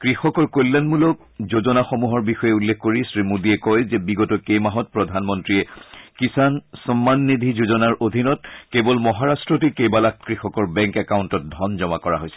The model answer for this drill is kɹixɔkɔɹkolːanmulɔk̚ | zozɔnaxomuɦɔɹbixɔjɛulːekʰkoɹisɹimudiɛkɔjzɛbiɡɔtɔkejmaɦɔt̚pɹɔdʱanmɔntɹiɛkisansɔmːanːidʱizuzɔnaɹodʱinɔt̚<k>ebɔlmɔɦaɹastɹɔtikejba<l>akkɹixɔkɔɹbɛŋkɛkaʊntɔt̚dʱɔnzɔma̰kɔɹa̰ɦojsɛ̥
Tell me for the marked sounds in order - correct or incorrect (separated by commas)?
correct, correct